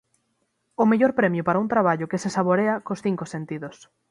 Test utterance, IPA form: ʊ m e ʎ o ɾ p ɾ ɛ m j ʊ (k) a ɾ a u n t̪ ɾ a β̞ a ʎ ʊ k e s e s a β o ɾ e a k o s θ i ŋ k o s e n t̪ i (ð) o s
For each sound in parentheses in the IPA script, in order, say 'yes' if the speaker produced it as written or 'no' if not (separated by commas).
no, yes